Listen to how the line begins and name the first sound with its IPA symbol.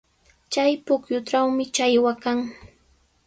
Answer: t͡ʃ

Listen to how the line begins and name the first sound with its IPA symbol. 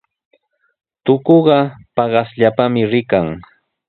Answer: t̪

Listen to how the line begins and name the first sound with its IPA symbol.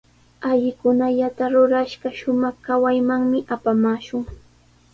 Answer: a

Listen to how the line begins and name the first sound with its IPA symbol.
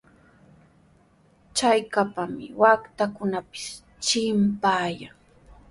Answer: t͡ʃ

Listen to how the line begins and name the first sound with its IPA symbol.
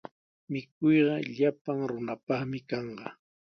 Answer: m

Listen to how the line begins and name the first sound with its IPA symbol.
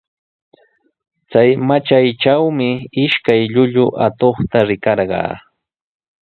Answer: t͡s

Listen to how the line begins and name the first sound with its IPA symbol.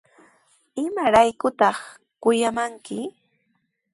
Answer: ɪ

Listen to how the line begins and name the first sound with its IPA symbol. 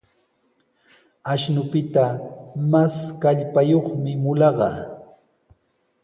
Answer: a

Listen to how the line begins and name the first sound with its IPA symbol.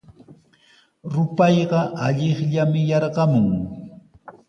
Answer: ɾ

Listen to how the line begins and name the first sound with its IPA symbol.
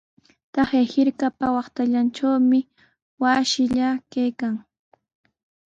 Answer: t̪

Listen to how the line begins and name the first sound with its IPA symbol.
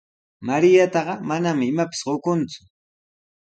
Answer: m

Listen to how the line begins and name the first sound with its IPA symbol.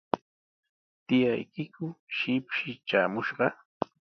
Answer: t̪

